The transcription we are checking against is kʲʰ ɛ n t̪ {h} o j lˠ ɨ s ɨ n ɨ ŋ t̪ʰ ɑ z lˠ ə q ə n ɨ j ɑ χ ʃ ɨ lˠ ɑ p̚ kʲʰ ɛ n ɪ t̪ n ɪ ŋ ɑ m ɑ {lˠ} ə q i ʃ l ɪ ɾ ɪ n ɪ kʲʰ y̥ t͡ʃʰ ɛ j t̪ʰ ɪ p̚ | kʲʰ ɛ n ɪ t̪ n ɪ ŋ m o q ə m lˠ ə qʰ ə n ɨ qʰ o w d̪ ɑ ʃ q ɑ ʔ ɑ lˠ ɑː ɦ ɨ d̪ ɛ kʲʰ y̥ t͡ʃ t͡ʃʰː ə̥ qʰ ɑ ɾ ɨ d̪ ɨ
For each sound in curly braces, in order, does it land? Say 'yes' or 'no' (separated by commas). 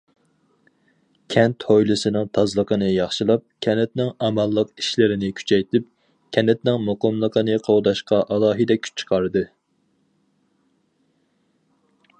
yes, no